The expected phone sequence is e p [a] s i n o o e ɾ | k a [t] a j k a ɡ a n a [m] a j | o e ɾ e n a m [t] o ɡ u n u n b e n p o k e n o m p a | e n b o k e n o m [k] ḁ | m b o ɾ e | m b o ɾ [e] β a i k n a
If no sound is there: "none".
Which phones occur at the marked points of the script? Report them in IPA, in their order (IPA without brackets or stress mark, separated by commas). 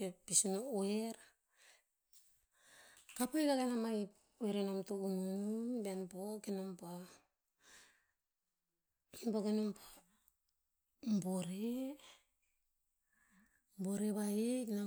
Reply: i, p, m, t, p, e